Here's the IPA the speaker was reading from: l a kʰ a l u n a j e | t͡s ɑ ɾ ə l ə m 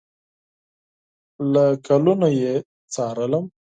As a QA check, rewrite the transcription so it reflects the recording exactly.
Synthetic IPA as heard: l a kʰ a l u n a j e | t͡s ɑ ɾ ə l ə m